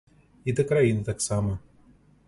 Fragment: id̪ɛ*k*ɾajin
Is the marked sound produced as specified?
yes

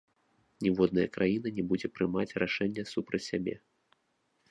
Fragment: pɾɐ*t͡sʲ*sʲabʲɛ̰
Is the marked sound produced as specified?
yes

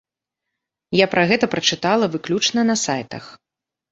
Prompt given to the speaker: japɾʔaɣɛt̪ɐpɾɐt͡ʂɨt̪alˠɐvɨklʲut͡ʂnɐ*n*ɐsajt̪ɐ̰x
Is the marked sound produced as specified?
yes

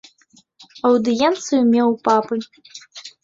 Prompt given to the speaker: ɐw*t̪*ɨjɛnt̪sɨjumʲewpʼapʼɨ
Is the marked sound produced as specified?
no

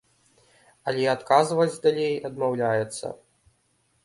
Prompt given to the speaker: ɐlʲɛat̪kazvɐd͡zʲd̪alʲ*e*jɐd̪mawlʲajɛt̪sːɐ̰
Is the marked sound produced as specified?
yes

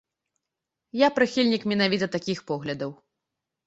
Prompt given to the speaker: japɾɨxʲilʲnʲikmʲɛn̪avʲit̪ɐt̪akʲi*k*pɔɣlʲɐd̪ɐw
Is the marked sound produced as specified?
no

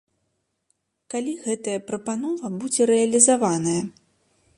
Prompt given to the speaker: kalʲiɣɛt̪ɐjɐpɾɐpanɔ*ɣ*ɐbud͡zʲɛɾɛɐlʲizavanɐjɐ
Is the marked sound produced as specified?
no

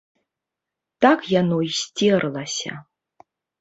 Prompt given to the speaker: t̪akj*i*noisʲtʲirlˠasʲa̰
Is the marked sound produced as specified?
no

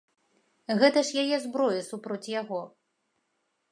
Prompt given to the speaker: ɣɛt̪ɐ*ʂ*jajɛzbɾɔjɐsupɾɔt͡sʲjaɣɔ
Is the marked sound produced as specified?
yes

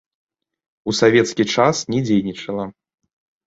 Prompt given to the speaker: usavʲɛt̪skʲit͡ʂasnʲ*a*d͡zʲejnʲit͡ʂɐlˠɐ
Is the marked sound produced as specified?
no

